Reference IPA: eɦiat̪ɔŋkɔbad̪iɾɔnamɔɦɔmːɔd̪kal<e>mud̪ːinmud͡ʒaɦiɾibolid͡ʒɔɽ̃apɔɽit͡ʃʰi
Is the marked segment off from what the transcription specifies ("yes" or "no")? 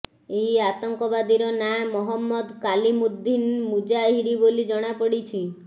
yes